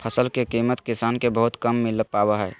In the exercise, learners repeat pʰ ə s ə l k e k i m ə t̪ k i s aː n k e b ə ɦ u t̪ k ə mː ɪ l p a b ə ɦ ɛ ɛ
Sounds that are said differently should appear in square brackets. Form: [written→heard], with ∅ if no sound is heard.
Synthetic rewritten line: pʰ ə s ə l k e k i m ə t̪ k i s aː n k e b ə ɦ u t̪ k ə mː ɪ l p a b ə ɦ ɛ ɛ